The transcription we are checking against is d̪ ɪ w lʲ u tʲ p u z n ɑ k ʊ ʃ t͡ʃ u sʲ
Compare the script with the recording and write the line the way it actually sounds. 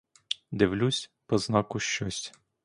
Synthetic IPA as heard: d̪ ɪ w lʲ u sʲ p ɔ z n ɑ k ʊ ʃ t͡ʃ ɔ sʲ